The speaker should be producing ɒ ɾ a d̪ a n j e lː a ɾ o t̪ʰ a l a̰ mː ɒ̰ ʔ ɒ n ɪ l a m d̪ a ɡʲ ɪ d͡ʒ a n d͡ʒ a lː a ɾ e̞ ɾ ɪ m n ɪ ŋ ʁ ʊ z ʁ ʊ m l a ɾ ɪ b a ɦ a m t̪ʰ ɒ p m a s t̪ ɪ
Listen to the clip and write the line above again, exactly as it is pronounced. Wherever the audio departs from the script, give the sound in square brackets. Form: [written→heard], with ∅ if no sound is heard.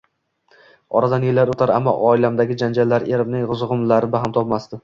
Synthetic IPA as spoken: ɒ ɾ a d̪ a n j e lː a ɾ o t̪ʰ a [l→ɾ] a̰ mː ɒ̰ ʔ ɒ [n→∅] ɪ l a m d̪ a ɡʲ ɪ d͡ʒ a n d͡ʒ a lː a ɾ e̞ ɾ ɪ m n ɪ ŋ ʁ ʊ z ʁ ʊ m l a ɾ ɪ b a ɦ a m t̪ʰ ɒ p m a s t̪ ɪ